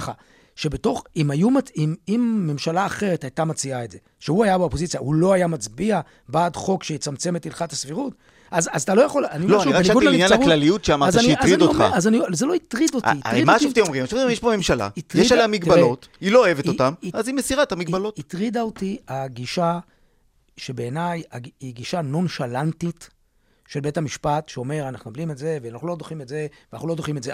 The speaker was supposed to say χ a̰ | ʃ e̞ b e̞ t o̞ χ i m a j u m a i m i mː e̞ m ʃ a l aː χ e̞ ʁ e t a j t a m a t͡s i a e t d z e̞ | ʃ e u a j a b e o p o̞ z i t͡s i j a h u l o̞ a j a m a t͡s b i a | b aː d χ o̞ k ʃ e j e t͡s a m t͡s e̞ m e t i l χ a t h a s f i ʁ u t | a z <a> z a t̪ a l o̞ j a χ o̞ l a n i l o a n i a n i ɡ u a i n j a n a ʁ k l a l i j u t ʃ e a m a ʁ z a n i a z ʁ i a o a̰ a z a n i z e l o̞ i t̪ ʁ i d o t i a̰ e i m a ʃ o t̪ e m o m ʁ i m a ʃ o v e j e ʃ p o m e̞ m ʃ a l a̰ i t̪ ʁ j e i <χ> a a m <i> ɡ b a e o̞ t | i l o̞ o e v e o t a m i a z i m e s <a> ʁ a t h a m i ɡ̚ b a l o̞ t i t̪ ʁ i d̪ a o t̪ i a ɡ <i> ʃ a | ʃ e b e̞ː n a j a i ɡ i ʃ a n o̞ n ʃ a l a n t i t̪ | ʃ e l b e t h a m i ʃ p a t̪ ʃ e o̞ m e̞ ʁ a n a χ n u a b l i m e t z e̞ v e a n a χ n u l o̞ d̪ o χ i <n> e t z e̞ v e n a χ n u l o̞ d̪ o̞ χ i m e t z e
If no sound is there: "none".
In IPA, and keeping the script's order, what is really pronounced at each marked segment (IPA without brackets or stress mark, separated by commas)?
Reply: a, ʃ, i, i, i, m